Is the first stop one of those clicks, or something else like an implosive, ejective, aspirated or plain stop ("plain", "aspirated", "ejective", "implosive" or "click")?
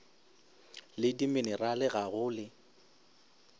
plain